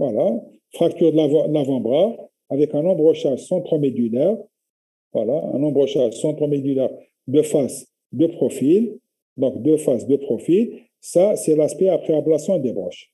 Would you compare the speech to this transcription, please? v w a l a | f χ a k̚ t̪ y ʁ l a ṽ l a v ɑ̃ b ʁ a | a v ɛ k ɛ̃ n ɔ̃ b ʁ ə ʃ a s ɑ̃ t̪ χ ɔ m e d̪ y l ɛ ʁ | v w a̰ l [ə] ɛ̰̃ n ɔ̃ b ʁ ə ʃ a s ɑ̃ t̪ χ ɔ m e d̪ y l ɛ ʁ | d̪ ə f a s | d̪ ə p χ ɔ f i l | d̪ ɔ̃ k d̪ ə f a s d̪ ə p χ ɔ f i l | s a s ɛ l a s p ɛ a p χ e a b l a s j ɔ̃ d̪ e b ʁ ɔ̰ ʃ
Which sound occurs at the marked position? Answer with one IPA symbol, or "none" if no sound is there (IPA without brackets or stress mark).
a